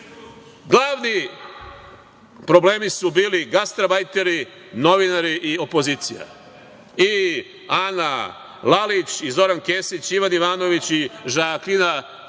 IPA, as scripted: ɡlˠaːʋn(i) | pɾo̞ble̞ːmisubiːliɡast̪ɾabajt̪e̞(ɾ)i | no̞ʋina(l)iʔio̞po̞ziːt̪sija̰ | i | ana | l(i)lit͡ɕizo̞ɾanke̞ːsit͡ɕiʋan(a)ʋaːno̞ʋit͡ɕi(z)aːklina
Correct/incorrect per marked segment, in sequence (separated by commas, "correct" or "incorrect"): correct, correct, incorrect, incorrect, incorrect, incorrect